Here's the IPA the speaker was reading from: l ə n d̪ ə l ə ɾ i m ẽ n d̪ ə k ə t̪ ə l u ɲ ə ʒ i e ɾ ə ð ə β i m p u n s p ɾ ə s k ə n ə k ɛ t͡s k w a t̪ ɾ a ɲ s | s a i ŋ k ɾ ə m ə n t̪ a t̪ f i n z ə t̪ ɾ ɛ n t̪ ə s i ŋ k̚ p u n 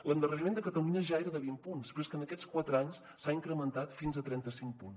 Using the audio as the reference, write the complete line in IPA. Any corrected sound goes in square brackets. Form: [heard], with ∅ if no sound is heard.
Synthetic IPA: l ə n d̪ ə [r] ə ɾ i m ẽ n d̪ ə k ə t̪ ə l u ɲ ə ʒ [a] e ɾ ə ð ə β i m p u n s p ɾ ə s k ə n ə k ɛ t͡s k w a t̪ ɾ a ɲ s | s a i ŋ k ɾ ə m ə n t̪ a t̪ f i n z ə t̪ ɾ ɛ n t̪ ə s i ŋ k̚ p u n